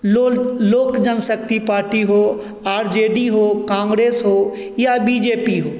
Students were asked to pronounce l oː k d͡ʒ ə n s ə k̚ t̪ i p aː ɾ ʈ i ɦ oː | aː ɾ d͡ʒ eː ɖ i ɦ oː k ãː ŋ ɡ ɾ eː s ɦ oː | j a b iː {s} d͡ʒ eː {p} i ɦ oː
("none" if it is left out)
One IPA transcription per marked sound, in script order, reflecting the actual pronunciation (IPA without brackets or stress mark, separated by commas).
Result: none, p